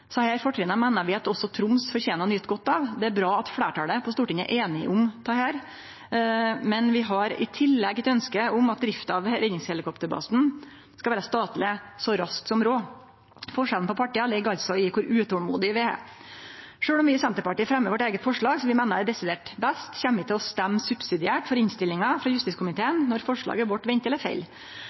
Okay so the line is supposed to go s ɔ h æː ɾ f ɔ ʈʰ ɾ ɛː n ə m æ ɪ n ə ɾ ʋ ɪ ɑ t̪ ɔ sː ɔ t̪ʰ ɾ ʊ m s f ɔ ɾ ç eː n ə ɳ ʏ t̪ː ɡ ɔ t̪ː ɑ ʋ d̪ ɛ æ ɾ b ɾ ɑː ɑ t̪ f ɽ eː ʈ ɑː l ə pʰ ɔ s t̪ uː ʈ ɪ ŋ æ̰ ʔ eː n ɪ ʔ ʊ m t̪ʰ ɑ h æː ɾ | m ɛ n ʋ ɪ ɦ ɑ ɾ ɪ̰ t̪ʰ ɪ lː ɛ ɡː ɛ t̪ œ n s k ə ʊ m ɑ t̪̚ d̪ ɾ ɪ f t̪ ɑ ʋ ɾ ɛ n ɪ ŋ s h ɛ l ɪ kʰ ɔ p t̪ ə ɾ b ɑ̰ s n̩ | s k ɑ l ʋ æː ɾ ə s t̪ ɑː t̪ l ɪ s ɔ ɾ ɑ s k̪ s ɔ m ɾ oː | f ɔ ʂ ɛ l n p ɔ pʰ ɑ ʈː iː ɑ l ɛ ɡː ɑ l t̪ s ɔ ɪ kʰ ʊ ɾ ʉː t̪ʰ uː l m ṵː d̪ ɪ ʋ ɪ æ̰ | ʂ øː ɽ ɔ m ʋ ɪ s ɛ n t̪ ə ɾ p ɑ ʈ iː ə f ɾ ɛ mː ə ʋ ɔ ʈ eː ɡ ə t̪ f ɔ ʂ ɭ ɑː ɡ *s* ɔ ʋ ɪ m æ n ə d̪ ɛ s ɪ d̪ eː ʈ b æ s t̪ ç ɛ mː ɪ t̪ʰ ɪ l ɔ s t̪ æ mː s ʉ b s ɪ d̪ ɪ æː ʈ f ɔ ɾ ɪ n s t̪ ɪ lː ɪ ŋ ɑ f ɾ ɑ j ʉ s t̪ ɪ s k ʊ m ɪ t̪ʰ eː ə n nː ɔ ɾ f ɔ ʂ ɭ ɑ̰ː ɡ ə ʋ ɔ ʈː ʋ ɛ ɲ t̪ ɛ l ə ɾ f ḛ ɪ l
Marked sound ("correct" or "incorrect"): correct